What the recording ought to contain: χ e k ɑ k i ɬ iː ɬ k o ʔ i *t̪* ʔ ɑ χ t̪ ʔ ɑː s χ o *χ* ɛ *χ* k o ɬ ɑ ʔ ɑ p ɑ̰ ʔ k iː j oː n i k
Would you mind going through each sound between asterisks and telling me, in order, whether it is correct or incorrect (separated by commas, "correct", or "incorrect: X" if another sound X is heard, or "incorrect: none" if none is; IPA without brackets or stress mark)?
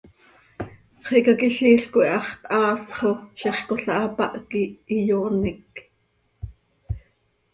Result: incorrect: none, incorrect: ʃ, correct